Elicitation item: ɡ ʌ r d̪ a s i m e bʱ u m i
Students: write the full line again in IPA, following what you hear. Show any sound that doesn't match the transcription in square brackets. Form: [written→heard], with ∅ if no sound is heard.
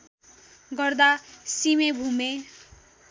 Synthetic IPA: ɡ ʌ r d̪ a s i m e bʱ u m [i→e]